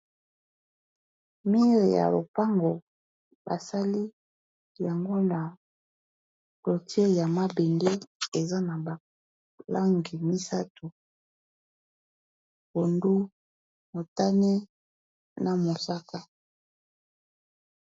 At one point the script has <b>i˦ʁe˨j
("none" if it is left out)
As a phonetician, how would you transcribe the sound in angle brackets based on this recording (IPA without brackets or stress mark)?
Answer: m